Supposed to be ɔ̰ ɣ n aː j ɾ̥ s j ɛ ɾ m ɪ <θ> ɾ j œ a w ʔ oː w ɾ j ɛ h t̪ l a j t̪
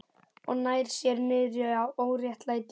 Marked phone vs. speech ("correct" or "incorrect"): incorrect